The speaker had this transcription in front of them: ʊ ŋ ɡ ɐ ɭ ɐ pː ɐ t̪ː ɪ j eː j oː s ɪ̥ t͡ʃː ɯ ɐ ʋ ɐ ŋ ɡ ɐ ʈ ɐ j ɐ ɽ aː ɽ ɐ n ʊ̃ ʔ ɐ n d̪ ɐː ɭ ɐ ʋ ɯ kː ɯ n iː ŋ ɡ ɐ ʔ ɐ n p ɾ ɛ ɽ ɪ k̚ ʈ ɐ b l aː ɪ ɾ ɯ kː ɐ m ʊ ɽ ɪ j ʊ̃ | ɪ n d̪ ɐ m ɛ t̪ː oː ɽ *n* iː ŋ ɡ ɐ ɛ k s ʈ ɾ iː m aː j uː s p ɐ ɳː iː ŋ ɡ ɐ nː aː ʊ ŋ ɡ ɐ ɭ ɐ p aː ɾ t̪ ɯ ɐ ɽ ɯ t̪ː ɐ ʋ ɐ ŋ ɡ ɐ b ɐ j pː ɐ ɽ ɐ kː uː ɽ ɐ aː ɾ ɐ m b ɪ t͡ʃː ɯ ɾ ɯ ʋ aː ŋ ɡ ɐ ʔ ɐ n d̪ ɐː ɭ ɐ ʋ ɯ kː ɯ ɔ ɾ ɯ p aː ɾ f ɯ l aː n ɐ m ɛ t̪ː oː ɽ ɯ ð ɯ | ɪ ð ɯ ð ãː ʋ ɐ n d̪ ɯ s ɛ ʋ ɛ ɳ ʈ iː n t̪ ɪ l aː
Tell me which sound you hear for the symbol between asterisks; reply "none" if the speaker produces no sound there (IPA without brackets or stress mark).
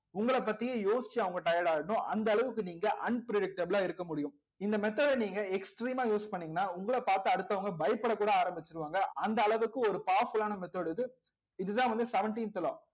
n